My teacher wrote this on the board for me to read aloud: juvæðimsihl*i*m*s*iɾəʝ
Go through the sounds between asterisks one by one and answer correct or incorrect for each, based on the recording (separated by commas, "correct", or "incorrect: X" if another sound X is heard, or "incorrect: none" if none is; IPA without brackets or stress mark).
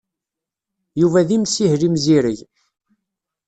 correct, incorrect: z